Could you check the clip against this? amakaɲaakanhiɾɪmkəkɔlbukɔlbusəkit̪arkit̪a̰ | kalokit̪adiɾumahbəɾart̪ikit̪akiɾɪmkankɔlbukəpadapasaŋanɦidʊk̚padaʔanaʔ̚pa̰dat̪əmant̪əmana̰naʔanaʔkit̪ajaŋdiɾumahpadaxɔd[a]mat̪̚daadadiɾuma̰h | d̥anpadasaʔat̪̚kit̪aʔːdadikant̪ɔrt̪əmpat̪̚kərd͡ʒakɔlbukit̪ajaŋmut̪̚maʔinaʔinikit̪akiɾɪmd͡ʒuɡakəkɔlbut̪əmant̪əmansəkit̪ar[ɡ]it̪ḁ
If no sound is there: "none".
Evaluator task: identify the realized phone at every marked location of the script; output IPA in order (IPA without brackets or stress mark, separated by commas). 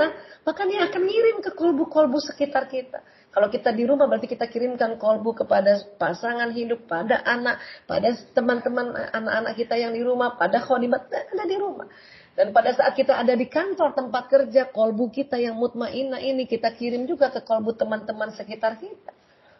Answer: i, k